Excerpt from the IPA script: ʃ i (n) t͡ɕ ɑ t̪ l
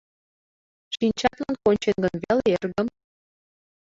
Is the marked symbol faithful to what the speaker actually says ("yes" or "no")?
yes